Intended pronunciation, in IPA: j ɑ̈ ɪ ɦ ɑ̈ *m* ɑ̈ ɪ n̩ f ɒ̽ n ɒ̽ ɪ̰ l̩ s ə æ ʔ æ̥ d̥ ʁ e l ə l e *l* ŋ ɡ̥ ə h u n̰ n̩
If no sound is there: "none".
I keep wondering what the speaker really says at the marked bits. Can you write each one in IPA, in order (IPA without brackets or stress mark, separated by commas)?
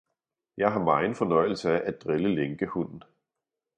m, none